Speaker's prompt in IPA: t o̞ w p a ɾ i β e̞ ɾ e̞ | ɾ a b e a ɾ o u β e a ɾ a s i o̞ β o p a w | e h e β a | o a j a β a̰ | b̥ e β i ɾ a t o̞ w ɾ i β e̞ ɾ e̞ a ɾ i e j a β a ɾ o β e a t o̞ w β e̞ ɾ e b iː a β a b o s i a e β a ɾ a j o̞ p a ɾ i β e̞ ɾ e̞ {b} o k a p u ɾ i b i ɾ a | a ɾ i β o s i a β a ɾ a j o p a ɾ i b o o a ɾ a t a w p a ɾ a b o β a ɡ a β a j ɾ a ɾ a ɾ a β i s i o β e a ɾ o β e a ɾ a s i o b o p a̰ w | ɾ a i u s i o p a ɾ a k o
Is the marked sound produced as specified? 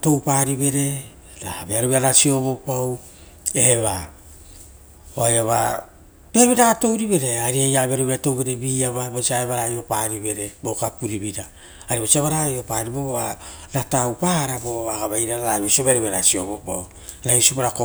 yes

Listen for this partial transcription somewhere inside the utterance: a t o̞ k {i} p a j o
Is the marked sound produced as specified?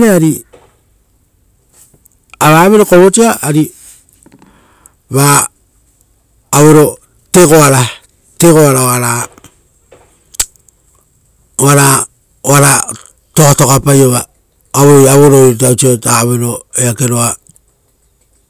no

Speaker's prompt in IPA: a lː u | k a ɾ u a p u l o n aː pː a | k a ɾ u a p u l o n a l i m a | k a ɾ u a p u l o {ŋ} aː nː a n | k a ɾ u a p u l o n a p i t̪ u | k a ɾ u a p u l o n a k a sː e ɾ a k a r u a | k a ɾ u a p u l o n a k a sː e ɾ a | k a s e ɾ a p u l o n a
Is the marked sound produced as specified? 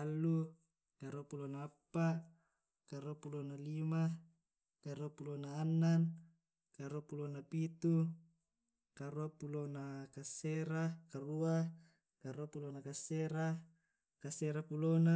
no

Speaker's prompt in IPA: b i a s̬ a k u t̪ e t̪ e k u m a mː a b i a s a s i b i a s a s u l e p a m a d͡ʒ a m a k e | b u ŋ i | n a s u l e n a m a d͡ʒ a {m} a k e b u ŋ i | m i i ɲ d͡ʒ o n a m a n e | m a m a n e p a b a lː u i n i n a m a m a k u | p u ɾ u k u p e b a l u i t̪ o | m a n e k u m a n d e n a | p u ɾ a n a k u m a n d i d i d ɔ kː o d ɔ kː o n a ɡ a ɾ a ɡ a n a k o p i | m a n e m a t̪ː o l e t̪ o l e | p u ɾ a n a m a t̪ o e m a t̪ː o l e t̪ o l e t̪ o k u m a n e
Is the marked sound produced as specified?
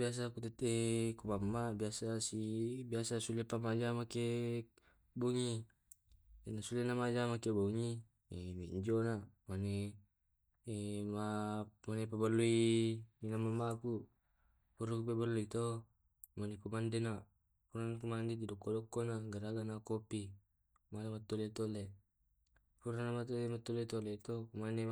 yes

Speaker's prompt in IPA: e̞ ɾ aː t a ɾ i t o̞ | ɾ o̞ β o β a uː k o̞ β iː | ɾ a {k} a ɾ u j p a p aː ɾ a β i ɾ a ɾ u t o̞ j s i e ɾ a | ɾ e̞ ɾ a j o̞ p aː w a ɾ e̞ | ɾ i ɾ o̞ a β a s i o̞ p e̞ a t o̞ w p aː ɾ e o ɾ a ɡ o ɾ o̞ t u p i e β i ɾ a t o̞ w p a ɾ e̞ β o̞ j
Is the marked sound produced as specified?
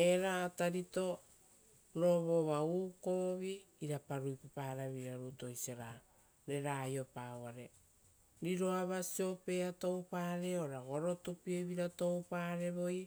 no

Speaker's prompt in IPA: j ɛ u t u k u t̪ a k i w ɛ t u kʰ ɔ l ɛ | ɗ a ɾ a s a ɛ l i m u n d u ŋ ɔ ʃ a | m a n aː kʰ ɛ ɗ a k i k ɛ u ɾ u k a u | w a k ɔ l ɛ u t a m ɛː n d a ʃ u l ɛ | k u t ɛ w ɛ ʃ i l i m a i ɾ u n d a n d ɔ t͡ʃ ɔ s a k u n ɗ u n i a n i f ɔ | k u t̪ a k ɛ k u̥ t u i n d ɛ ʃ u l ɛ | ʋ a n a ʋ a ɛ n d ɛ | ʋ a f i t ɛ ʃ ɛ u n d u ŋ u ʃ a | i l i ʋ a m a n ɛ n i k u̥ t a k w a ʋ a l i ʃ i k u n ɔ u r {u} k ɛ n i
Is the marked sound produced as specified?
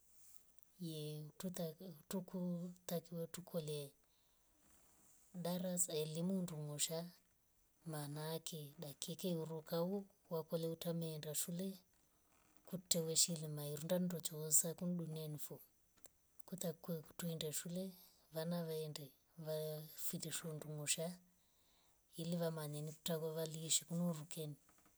yes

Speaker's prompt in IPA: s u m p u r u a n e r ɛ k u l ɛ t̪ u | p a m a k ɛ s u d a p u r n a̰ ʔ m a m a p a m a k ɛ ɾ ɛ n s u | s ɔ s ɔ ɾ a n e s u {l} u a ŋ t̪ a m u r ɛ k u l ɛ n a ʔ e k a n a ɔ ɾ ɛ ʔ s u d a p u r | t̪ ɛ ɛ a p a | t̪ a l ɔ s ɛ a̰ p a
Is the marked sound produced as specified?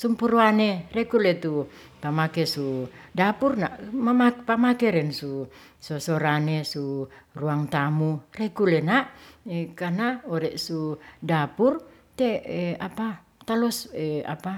no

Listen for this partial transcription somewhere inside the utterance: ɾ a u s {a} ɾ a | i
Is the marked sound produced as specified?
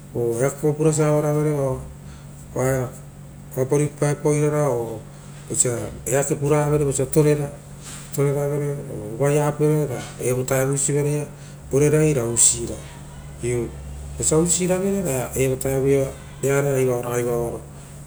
no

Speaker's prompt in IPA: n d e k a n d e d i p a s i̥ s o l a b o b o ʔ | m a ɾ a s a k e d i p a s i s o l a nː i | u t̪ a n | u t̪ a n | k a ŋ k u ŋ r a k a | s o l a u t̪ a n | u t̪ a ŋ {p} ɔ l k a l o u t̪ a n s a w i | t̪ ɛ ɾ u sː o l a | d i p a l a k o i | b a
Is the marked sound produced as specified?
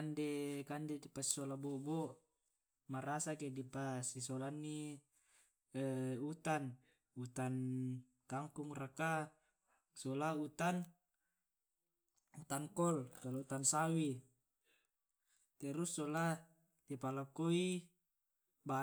no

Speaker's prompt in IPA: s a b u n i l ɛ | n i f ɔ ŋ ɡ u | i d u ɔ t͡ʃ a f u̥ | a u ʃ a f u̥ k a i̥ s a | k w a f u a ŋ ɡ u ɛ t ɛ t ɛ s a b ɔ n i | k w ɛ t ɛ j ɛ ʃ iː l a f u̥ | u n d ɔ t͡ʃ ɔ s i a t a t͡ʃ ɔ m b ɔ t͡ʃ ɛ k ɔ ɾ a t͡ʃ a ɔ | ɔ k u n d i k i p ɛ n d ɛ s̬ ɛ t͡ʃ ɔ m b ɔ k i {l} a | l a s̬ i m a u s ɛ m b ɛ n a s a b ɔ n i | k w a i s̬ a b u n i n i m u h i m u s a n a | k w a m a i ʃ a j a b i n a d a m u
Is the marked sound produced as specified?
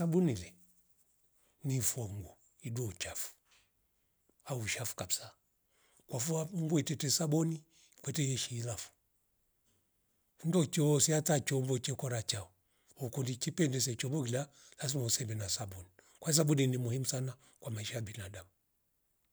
yes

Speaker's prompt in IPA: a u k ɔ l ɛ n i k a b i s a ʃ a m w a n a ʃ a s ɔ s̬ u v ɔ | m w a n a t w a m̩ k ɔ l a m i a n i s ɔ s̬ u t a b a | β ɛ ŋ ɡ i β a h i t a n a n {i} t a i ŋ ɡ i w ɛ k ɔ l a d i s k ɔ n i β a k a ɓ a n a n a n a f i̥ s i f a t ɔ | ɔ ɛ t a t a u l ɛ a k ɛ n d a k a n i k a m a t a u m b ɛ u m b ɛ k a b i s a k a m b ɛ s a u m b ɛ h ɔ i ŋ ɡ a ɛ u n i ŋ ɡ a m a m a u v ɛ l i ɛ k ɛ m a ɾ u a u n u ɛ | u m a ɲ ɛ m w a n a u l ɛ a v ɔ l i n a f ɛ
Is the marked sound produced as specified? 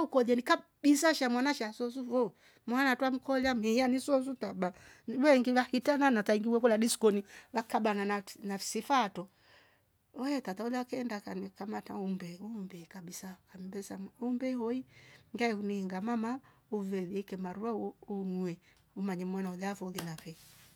no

